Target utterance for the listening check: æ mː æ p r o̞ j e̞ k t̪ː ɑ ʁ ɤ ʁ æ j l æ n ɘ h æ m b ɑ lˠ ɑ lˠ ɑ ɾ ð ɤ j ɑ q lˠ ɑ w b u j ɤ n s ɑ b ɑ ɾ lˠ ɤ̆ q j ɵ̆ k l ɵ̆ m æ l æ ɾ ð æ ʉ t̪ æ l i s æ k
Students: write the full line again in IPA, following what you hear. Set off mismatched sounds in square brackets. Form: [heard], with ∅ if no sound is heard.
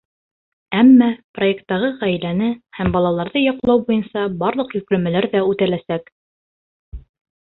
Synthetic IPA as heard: æ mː æ p r o̞ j e̞ k t̪ː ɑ ʁ ɤ ʁ æ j l æ n ɘ h æ m b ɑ lˠ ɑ lˠ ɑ ɾ ð ɤ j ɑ q lˠ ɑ w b u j ɤ n s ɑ b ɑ ɾ lˠ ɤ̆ q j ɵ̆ k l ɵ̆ m æ l æ ɾ ð æ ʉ t̪ æ l [æ] s æ k